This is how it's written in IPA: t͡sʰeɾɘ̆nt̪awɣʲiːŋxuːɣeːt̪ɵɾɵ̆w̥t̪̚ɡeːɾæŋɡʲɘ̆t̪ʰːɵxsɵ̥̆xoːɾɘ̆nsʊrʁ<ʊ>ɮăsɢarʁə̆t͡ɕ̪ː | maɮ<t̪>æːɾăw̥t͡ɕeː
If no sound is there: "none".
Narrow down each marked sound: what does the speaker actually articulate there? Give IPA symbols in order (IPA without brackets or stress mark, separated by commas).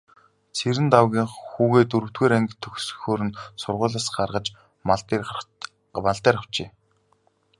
ʊː, t̪